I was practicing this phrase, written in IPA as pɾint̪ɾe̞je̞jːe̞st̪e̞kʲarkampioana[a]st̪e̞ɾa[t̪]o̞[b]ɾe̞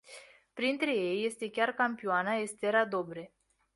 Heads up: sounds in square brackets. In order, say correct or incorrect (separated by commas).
incorrect, incorrect, correct